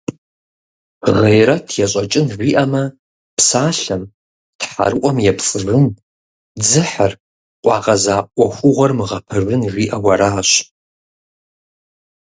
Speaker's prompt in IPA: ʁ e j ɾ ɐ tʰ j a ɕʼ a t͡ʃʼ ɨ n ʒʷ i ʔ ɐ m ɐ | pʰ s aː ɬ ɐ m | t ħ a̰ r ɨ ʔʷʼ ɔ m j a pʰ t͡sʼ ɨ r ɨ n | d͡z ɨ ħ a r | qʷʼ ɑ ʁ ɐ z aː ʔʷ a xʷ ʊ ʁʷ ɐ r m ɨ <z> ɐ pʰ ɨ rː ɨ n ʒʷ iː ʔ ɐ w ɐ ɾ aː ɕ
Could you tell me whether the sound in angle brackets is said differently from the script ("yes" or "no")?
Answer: yes